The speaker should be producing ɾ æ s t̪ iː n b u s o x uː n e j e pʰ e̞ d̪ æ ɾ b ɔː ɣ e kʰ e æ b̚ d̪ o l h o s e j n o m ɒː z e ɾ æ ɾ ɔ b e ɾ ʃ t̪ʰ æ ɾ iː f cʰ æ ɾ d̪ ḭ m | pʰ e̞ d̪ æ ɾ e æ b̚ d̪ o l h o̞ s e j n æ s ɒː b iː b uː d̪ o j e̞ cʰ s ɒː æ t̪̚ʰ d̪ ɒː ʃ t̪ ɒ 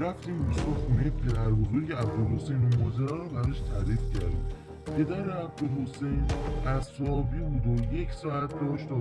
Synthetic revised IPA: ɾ æ f t̪ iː m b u s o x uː n e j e pʰ e̞ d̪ æ ɾ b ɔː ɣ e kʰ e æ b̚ d̪ o l h o s e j n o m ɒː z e ɾ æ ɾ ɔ b æ ɾ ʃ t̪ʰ æ ɾ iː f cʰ æ ɾ d̪ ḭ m | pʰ e̞ d̪ æ ɾ e æ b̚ d̪ o l h o̞ s e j n æ s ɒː b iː b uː d̪ o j e̞ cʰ s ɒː æ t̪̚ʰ d̪ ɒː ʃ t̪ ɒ